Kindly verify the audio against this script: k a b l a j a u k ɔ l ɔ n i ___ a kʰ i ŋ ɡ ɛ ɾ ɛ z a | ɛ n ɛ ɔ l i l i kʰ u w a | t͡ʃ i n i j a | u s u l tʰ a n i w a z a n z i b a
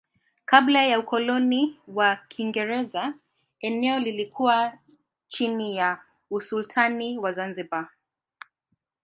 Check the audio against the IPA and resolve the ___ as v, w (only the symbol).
w